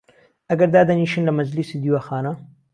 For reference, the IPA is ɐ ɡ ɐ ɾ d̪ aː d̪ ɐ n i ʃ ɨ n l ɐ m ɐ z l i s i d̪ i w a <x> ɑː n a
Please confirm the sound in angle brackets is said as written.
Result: yes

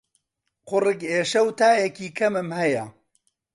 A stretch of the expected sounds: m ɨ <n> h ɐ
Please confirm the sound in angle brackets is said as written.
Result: no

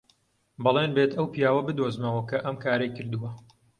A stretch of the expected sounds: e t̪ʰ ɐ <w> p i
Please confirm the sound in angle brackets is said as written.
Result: yes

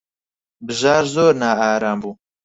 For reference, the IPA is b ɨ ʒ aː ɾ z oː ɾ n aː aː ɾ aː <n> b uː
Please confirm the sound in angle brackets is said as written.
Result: no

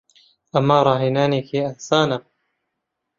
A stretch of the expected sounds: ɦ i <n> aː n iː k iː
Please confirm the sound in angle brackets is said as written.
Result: yes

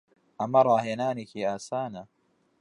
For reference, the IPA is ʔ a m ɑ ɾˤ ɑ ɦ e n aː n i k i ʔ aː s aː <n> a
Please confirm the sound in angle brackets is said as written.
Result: yes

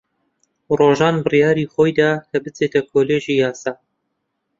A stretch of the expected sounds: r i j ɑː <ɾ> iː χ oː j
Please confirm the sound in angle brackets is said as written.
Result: yes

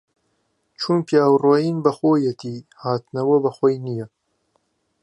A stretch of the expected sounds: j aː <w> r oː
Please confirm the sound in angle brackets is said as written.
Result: yes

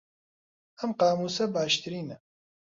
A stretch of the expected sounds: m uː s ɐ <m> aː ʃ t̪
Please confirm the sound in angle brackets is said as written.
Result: no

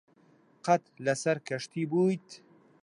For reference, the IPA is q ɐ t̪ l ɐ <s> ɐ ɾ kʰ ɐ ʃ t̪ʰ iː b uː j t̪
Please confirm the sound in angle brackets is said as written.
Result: yes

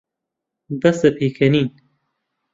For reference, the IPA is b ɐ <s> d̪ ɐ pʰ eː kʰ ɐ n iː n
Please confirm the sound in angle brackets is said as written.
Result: yes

